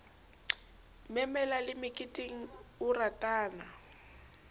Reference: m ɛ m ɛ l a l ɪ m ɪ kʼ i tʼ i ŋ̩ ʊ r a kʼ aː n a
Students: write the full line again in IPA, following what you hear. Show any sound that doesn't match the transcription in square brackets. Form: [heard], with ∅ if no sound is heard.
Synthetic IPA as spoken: m ɛ m ɛ l a l ɪ m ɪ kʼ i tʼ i ŋ̩ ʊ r a [tʼ] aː n a